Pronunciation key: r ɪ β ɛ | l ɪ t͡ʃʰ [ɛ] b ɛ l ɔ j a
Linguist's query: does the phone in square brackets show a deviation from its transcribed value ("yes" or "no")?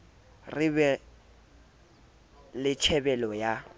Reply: no